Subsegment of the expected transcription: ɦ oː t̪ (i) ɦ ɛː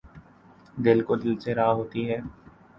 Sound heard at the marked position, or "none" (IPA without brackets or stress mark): i